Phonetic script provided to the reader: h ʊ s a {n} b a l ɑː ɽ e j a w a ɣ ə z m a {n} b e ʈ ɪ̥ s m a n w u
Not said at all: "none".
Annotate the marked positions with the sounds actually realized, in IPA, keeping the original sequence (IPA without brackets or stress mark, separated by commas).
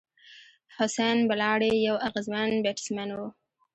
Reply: n, n